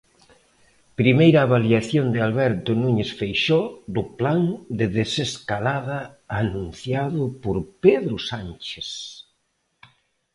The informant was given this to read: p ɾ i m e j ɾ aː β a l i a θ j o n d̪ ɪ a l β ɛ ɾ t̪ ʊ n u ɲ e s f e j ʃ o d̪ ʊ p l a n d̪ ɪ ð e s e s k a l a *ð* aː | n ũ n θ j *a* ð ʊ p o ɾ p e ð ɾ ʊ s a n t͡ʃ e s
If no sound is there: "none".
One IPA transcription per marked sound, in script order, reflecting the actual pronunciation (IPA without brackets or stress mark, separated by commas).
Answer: ð, a